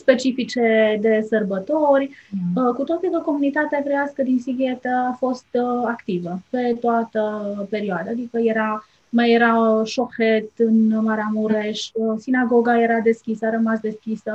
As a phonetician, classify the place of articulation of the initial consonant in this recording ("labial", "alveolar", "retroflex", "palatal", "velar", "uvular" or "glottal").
alveolar